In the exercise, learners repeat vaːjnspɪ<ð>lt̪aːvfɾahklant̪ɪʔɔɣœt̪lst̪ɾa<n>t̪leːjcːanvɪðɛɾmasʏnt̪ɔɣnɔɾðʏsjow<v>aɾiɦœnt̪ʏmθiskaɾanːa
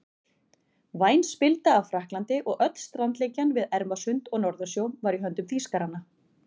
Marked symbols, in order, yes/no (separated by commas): no, yes, yes